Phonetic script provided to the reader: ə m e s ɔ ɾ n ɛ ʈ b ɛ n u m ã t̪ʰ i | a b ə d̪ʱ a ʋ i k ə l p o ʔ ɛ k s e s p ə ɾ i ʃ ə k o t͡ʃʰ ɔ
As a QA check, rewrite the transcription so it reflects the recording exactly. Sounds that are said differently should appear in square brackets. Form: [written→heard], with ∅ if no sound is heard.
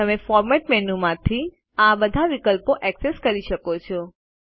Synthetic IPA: ə m e [s→f] ɔ ɾ [n→m] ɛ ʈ [b→m] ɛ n u m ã t̪ʰ i | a b ə d̪ʱ a ʋ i k ə l p o ʔ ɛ k s e s [p→k] ə ɾ i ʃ ə k o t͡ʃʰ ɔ